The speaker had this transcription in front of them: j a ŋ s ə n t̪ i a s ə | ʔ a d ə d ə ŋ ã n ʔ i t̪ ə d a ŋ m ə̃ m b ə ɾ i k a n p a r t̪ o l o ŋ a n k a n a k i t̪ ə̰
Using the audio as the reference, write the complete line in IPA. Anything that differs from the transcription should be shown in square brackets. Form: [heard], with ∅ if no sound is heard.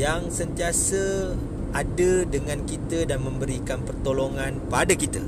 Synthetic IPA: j a ŋ s ə n t̪ i a s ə | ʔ a d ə d ə ŋ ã n [k] i t̪ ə d a [n] m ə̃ m b ə ɾ i k a n p [ə] r t̪ o l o ŋ a n [p] a [d] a k i t̪ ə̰